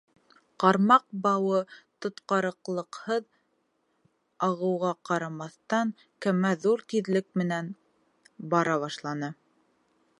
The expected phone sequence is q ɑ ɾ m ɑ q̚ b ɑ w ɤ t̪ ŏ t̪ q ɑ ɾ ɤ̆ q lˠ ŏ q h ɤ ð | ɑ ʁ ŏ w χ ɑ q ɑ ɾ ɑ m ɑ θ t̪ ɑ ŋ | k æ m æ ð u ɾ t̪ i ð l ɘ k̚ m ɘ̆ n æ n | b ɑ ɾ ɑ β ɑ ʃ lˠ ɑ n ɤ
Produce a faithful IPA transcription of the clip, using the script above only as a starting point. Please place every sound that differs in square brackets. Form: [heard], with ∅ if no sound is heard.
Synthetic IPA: q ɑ ɾ m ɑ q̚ b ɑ w ɤ t̪ ŏ t̪ q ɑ ɾ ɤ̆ q lˠ [ɤ̆] q h ɤ ð | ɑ ʁ [ɤ̆] w [ʁ] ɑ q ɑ ɾ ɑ m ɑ θ t̪ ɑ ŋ | k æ m æ ð u ɾ t̪ i ð l ɘ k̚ m ɘ̆ n æ n | b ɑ ɾ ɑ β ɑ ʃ lˠ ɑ n ɤ